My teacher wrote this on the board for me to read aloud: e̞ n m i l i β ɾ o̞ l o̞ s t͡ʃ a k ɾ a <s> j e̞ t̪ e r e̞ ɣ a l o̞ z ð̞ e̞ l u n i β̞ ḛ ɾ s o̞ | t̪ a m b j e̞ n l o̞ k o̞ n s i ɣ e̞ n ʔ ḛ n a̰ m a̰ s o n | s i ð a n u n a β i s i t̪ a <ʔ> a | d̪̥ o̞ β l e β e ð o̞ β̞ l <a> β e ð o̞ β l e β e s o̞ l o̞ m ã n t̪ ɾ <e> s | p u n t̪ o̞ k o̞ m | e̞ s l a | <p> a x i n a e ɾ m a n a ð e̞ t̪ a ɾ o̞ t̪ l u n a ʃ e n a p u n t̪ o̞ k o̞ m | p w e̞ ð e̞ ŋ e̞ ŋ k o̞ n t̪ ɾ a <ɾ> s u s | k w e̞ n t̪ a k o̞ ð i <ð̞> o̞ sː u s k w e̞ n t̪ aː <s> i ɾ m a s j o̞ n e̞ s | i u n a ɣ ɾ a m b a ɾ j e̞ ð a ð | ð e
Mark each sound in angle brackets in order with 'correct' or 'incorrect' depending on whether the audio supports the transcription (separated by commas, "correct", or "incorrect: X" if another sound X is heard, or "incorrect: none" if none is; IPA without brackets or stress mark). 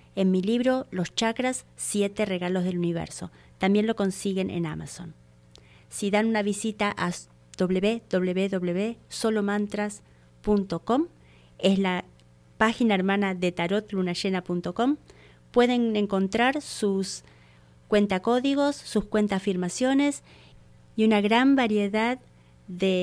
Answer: incorrect: sː, correct, incorrect: e, incorrect: a, correct, correct, incorrect: ɣ̞, incorrect: f